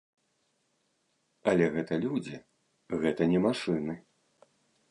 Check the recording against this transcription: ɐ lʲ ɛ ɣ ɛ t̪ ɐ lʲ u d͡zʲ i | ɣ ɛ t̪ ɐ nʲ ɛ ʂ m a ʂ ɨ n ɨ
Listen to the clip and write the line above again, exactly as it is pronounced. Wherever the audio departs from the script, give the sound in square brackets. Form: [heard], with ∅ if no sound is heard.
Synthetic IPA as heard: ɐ lʲ ɛ ɣ ɛ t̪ ɐ lʲ u d͡zʲ i | ɣ ɛ t̪ ɐ nʲ ɛ [∅] m a ʂ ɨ n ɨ